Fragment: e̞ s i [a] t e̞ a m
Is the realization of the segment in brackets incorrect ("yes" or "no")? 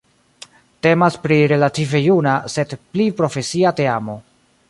no